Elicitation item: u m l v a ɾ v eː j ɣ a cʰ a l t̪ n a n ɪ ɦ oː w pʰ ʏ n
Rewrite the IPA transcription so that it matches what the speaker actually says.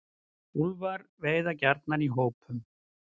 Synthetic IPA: u l v a ɾ v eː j ð a c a ɾ t̪ n a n i ɦ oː w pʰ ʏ m